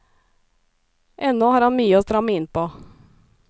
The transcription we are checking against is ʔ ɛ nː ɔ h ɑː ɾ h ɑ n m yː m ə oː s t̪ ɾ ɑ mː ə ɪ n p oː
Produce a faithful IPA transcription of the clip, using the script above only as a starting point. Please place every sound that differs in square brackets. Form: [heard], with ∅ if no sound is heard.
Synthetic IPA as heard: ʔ ɛ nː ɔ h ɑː ɾ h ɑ n m yː [∅] ə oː s t̪ ɾ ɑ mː ə ɪ n p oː